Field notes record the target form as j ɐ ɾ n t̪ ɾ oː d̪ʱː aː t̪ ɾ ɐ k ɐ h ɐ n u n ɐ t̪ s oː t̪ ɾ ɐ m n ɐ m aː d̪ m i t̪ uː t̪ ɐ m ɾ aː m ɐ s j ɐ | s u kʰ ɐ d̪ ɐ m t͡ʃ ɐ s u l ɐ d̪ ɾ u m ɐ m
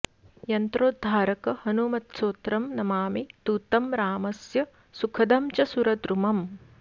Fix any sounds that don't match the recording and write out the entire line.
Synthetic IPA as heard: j ɐ n t̪ ɾ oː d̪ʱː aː ɾ ɐ k ɐ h ɐ n u m ɐ t̪ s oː t̪ ɾ ɐ m n ɐ m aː m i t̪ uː t̪ ɐ m ɾ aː m ɐ s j ɐ | s u kʰ ɐ d̪ ɐ m t͡ʃ ɐ s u ɾ ɐ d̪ ɾ u m ɐ m